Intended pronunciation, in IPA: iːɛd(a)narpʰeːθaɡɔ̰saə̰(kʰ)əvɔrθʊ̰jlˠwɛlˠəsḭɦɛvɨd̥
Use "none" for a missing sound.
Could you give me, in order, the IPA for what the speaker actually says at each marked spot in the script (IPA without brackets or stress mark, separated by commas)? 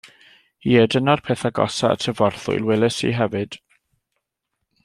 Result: ə, tʰ